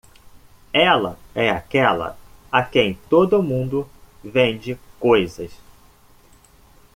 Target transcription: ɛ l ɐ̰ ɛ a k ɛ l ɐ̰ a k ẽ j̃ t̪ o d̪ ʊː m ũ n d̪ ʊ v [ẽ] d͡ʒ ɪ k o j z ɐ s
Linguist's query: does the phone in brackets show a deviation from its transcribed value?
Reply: no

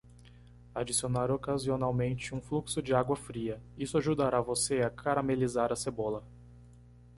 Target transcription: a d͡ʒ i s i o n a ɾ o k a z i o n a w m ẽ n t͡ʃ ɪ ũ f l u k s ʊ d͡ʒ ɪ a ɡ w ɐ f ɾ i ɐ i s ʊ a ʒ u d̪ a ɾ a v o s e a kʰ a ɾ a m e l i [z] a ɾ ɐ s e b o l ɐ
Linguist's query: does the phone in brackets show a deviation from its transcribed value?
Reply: no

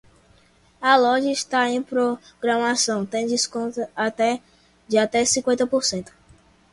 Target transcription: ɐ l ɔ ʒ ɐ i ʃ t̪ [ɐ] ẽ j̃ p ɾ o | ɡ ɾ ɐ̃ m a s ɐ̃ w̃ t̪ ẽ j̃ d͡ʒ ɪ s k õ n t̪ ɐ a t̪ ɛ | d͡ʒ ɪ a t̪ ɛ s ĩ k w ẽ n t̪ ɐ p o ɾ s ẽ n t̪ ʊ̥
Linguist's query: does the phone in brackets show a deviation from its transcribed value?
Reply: yes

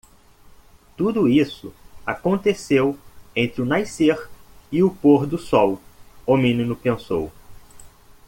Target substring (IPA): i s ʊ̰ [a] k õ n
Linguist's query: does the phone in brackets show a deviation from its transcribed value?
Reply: no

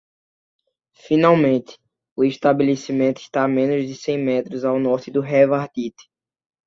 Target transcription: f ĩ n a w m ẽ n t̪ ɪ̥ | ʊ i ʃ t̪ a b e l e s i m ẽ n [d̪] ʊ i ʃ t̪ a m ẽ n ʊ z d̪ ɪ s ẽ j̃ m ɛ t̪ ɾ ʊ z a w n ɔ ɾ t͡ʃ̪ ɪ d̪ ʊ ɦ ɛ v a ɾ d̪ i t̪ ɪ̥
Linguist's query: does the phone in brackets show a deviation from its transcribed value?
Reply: yes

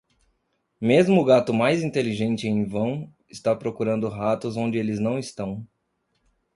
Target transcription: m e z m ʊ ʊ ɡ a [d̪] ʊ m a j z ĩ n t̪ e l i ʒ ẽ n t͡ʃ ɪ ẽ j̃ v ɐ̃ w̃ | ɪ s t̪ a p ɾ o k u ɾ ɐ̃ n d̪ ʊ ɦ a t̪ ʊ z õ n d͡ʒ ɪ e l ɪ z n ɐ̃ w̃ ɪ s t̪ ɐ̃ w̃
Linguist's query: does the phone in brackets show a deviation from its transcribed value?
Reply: yes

